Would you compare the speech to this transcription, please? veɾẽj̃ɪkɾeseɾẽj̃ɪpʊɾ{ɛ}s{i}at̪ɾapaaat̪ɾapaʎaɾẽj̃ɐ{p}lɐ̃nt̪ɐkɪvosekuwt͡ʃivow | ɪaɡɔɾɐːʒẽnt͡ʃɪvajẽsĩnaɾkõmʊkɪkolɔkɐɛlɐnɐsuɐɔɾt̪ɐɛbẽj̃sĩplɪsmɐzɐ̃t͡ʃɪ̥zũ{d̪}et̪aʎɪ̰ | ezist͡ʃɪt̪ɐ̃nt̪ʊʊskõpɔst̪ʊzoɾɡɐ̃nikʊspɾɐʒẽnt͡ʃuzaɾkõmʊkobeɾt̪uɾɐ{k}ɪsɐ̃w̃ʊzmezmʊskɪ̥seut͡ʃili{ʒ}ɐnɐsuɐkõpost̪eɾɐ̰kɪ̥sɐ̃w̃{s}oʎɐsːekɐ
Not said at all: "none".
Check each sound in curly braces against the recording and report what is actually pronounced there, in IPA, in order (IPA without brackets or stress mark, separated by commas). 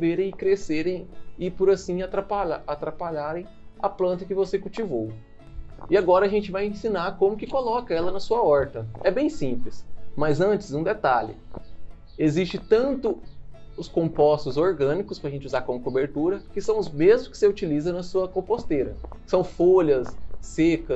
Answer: a, ĩ, p, d̪, k, z, f